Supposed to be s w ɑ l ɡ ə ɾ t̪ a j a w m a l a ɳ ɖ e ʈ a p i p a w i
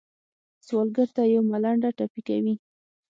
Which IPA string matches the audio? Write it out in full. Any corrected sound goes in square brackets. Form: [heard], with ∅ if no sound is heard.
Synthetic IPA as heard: s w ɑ l ɡ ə ɾ t̪ a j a w m a l a ɳ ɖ [a] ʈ a p i [k] a w i